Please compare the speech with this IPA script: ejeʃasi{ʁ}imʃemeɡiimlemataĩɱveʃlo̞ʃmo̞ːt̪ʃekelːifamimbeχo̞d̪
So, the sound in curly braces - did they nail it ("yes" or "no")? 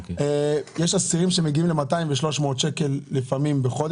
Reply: yes